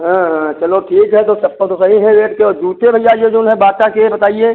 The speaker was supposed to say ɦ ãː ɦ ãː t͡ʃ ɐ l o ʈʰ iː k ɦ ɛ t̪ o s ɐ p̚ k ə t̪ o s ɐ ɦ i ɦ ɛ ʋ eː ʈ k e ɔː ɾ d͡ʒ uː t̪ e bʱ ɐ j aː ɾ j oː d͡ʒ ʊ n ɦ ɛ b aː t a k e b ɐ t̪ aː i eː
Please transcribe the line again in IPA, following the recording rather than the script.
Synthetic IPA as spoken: ɦ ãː ɦ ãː t͡ʃ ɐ l o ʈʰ iː k ɦ ɛ t̪ o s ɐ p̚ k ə t̪ o s ɐ ɦ i ɦ ɛ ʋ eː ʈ k e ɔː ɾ d͡ʒ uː t̪ e bʱ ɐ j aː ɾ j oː d͡ʒ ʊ n ɦ ɛ b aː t a k e b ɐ t̪ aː i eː

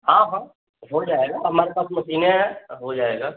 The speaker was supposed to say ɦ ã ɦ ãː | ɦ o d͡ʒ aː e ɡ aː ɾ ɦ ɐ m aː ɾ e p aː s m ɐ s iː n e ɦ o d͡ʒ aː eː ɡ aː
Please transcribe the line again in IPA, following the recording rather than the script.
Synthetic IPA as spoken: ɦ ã ɦ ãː | ɦ o d͡ʒ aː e ɡ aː ɦ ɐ m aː ɾ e p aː s m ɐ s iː n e ɦ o d͡ʒ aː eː ɡ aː

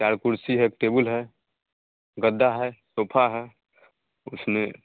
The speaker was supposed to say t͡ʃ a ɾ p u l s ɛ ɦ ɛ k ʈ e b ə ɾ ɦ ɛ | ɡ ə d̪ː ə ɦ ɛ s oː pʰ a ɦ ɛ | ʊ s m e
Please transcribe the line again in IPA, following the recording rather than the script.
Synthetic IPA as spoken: t͡ʃ a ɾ k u ɾ s i ɦ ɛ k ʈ e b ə l ɦ ɛ | ɡ ə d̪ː a ɦ ɛ s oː pʰ a ɦ ɛ | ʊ s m e

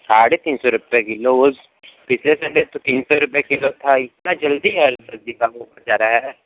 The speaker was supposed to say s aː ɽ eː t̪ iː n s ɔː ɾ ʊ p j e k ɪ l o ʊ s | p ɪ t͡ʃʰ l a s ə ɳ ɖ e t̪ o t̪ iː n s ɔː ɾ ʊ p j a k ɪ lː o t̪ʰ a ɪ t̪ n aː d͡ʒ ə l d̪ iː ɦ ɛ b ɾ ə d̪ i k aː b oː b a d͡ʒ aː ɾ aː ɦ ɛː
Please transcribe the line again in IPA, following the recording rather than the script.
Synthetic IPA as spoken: s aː ɽ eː t̪ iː n s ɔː ɾ ʊ p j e k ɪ l o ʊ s | p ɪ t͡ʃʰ l e s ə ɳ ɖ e t̪ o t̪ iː n s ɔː ɾ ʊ p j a k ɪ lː o t̪ʰ a ɪ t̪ n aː d͡ʒ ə l d̪ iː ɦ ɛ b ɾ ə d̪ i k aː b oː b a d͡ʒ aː ɾ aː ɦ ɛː

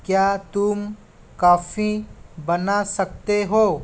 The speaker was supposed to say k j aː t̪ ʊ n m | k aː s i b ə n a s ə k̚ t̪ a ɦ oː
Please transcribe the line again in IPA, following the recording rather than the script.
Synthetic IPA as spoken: k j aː t̪ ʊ m | k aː f i b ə n a s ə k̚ t̪ e ɦ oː

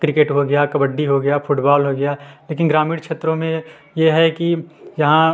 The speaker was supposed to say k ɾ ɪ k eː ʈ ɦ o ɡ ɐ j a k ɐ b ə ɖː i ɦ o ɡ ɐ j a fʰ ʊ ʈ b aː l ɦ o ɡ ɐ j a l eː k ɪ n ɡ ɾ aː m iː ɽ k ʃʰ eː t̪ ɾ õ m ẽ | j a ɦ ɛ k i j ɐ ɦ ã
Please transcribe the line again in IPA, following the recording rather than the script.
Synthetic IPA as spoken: k ɾ ɪ k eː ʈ ɦ o ɡ ɐ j a k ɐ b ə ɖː i ɦ o ɡ ɐ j a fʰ ʊ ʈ b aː l ɦ o ɡ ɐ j a l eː k ɪ n ɡ ɾ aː m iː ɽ k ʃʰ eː t̪ ɾ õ m ẽ | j e ɦ ɛ k i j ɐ ɦ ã

